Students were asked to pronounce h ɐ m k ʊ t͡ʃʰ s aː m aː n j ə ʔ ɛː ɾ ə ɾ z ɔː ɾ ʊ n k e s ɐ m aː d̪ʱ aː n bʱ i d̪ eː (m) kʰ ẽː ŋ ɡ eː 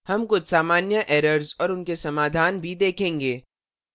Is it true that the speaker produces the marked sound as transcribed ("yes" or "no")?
no